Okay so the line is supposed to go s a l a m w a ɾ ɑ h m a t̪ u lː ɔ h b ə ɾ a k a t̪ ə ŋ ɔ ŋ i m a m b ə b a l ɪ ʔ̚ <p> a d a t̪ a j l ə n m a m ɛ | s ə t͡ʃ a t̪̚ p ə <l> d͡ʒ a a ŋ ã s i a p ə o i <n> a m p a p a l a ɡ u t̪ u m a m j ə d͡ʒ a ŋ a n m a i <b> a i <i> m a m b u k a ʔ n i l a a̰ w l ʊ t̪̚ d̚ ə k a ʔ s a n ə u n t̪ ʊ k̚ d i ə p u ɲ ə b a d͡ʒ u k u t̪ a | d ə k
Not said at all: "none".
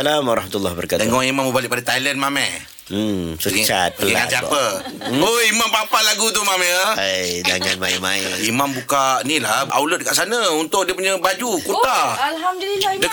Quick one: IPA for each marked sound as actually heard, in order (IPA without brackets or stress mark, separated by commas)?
p, l, m, m, i